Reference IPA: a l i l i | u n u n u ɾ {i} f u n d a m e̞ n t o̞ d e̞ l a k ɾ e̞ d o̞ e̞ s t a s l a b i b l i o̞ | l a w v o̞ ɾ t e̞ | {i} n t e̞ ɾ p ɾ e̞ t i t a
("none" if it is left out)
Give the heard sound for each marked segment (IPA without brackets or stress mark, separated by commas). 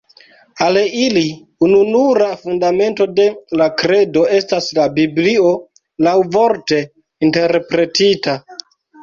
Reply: a, i